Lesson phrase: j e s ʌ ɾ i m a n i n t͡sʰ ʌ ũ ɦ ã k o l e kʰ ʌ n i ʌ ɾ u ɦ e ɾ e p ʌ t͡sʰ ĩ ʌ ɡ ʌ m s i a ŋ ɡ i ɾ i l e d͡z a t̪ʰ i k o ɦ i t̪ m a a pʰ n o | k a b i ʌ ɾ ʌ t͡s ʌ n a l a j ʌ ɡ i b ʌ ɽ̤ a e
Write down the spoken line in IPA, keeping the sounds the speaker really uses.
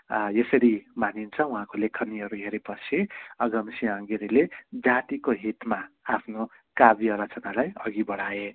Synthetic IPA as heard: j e s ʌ ɾ i m a n i n t͡sʰ ʌ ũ ɦ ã k o l e kʰ ʌ n i ʌ ɾ u ɦ e ɾ e p ʌ t͡sʰ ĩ ʌ ɡ ʌ m s i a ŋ ɡ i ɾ i l e d͡z a t̪ i k o ɦ i t̪ m a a pʰ n o | k a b i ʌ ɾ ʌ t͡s ʌ n a l a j ʌ ɡ i b ʌ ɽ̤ a e

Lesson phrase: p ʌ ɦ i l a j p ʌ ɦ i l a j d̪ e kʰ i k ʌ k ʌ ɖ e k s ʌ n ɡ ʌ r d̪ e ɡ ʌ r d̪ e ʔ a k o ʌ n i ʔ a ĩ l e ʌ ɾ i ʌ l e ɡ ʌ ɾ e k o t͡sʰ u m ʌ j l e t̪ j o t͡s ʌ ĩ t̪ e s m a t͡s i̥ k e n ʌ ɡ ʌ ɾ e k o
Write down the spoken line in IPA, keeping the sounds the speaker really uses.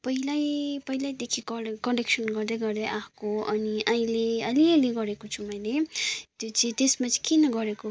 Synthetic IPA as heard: p ʌ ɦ i l a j p ʌ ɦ i l a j d̪ e kʰ i k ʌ k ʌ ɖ e k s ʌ n ɡ ʌ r d̪ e ɡ ʌ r d̪ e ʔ a k o ʌ n i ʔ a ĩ l e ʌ l i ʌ l e ɡ ʌ ɾ e k o t͡sʰ u m ʌ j l e t̪ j o t͡s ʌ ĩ t̪ e s m a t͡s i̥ k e n ʌ ɡ ʌ ɾ e k o

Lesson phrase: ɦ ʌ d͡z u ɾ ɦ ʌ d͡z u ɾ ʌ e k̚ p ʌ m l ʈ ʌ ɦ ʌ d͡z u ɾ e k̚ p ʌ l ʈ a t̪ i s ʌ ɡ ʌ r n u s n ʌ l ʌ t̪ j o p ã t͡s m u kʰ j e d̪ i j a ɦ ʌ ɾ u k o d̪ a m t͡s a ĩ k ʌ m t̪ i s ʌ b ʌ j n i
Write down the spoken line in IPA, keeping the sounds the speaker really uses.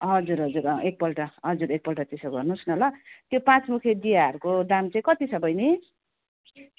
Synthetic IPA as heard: ɦ ʌ d͡z u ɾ ɦ ʌ d͡z u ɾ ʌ e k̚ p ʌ l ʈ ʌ ɦ ʌ d͡z u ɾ e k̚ p ʌ l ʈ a t̪ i s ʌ ɡ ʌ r n u s n ʌ l ʌ t̪ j o p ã t͡s m u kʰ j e d̪ i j a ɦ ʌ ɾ u k o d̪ a m t͡s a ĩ k ʌ t̪ i s ʌ b ʌ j n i

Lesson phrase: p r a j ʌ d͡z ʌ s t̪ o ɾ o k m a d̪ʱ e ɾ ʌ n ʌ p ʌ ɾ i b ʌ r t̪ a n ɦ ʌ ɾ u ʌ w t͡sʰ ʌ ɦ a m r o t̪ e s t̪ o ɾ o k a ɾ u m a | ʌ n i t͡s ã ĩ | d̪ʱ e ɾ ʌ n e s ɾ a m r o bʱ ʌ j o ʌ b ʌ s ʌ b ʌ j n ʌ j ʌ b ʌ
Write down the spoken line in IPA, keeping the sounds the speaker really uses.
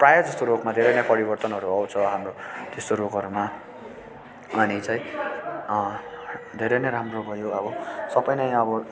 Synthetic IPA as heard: p r a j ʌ d͡z ʌ s t̪ o ɾ o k m a d̪ʱ e ɾ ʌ n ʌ p ʌ ɾ i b ʌ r t̪ ʌ n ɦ ʌ ɾ u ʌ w t͡sʰ ʌ ɦ a m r o t̪ e s t̪ o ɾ o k ʌ ɾ u m a | ʌ n i t͡s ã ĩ | d̪ʱ e ɾ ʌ n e ɾ a m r o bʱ ʌ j o ʌ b ʌ s ʌ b ʌ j n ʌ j ʌ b ʌ

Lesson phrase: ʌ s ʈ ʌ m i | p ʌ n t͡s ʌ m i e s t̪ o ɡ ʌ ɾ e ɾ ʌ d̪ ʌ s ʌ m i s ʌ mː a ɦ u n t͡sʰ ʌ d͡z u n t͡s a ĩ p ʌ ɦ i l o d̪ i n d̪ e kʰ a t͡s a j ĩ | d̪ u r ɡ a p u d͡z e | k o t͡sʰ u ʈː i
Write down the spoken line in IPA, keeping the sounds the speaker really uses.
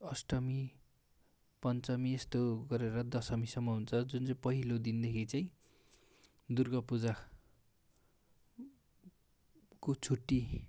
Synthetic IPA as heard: ʌ s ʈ ʌ m i | p ʌ n t͡s ʌ m i e s t̪ o ɡ ʌ ɾ e ɾ ʌ d̪ ʌ s ʌ m i s ʌ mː ʌ ɦ u n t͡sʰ ʌ d͡z u n t͡s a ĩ p ʌ ɦ i l o d̪ i n d̪ e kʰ i t͡s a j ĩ | d̪ u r ɡ ʌ p u d͡z a | k o t͡sʰ u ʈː i

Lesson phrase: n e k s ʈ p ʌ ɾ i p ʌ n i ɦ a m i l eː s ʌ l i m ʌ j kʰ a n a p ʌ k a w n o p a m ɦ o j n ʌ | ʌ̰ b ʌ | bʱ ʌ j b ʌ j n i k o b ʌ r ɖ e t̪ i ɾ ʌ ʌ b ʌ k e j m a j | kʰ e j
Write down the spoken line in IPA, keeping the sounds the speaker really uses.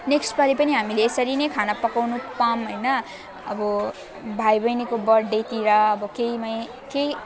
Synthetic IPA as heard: n e k s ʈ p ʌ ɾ i p ʌ n i ɦ a m i l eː s ʌ ɾ i n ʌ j kʰ a n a p ʌ k a w n u p a m ɦ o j n ʌ | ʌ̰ b ʌ | bʱ a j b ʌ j n i k o b ʌ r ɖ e t̪ i ɾ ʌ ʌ b ʌ k e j m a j | k e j

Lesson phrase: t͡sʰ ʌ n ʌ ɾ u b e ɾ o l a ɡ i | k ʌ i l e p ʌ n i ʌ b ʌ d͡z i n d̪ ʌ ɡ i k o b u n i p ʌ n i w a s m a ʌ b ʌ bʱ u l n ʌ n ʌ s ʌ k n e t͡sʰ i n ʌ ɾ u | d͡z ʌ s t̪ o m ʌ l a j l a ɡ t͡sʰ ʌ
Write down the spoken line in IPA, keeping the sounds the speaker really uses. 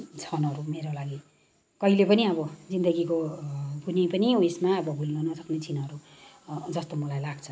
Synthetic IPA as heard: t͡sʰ ʌ n ʌ ɾ u m e ɾ o l a ɡ i | k ʌ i l e p ʌ n i ʌ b ʌ d͡z i n d̪ ʌ ɡ i k o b u n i p ʌ n i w e s m a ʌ b ʌ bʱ u l n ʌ n ʌ s ʌ k n e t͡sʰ i n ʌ ɾ u | d͡z ʌ s t̪ o m ʌ l a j l a ɡ t͡sʰ ʌ

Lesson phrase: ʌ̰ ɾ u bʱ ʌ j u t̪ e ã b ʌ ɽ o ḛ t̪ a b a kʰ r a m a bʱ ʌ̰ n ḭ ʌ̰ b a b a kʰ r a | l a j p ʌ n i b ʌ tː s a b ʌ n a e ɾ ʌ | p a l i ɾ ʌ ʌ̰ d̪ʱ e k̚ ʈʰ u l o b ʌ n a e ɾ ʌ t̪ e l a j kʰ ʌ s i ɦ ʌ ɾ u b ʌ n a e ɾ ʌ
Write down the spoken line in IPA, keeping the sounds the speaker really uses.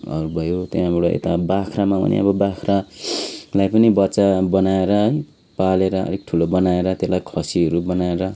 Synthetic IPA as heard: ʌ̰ ɾ u bʱ ʌ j o t̪ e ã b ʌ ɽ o ḛ t̪ a b a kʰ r a m a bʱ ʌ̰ n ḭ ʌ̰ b ʌ b a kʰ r a | l a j p ʌ n i b ʌ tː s a b ʌ n a e ɾ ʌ | p a l e ɾ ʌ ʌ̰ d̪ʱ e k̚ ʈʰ u l o b ʌ n a e ɾ ʌ t̪ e l a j kʰ ʌ s i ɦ ʌ ɾ u b ʌ n a e ɾ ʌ

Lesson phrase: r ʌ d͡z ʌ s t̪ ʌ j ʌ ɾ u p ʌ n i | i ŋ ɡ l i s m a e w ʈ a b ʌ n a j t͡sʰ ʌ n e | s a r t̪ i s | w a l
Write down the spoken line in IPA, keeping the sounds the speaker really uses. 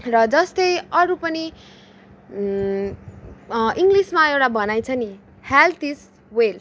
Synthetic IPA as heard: r ʌ d͡z ʌ s t̪ ʌ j ʌ ɾ u p ʌ n i | i ŋ ɡ l i s m a e w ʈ a b ʌ n a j t͡sʰ ʌ n i | h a l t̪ i s | w e l

